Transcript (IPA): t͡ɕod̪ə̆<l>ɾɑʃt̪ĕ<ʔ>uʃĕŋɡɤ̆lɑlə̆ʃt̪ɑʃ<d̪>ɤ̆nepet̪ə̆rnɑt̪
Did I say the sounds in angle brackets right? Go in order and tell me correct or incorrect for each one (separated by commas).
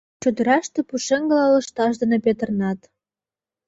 incorrect, incorrect, correct